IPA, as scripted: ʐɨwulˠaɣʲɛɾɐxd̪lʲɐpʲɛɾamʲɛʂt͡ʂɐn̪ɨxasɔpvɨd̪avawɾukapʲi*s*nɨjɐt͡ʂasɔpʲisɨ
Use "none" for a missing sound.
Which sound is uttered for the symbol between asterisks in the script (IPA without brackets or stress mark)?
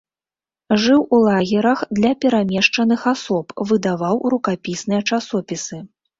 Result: s